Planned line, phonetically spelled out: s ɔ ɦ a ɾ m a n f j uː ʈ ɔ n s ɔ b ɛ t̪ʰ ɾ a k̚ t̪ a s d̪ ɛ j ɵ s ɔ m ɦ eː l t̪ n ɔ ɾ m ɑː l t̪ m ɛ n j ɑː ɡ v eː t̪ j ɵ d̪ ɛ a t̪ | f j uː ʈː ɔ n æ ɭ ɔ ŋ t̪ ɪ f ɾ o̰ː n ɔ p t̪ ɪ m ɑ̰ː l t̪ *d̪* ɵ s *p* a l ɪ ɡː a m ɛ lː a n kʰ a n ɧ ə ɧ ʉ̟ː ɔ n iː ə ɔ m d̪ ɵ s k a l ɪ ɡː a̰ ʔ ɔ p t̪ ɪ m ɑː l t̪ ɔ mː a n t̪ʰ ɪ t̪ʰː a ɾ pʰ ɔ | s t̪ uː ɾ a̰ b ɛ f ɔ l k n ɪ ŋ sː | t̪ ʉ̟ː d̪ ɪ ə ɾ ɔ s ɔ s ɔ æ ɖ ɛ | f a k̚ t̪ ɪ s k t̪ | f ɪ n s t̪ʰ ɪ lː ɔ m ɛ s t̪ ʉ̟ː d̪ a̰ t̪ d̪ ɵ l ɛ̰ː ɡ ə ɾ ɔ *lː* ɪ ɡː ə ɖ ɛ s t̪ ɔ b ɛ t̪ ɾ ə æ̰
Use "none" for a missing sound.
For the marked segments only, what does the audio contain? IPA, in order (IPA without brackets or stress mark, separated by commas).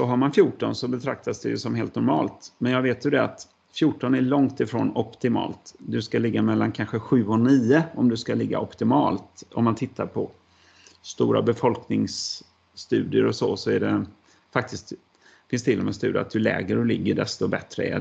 d̪, k, l